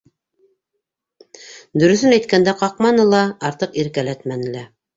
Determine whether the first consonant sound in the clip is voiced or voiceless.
voiced